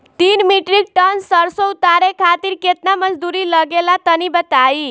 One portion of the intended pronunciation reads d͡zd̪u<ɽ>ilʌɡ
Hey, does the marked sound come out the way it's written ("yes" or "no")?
no